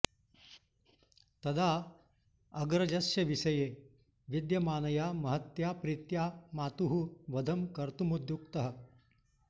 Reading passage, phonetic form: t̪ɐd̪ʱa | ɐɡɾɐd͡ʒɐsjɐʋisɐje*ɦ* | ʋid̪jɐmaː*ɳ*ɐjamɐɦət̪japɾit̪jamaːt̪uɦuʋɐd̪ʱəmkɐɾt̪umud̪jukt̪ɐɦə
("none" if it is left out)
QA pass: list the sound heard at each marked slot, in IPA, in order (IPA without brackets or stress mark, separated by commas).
none, n